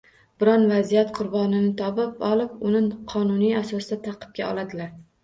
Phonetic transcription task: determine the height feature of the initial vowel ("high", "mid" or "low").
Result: high